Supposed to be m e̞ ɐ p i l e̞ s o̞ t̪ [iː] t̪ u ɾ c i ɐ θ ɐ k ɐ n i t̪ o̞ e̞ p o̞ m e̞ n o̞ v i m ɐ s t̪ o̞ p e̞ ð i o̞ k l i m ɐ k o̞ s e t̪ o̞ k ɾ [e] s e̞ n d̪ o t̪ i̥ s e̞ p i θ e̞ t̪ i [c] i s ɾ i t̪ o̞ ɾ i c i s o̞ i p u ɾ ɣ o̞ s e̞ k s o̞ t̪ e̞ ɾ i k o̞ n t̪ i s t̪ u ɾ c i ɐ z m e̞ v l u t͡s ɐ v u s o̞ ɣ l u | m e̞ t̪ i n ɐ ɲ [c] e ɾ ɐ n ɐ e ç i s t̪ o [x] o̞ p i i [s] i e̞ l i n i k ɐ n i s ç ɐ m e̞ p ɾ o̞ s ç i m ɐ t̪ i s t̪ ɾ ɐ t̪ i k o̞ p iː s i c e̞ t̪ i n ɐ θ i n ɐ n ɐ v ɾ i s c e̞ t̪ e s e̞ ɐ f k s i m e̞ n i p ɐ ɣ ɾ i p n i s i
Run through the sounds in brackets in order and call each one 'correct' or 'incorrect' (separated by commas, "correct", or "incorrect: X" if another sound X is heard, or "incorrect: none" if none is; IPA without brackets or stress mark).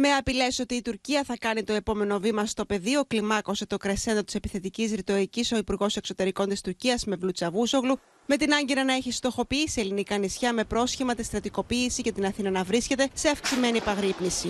correct, correct, correct, incorrect: ɟ, correct, correct